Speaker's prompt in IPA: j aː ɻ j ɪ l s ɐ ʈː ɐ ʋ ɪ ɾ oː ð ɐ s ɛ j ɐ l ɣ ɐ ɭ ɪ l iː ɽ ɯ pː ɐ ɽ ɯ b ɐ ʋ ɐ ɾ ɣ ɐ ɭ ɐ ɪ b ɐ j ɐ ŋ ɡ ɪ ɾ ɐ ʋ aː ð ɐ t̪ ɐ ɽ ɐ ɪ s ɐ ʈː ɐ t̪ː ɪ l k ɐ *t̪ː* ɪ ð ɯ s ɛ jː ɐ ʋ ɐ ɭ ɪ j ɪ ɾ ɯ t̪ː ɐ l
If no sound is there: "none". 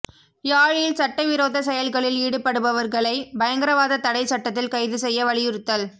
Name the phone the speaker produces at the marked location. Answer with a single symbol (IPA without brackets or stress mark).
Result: none